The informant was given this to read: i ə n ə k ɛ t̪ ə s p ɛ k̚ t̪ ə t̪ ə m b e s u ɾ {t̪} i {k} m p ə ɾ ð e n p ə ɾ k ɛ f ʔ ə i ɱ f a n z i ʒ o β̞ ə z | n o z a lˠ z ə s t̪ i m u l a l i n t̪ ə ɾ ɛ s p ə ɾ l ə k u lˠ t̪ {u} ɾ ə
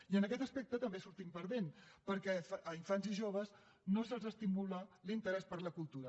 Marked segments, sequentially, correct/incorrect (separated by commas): correct, incorrect, correct